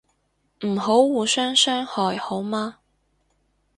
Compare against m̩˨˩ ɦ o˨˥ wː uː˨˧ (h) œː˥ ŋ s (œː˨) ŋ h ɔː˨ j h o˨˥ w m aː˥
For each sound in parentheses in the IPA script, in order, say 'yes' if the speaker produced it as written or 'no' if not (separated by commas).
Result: no, no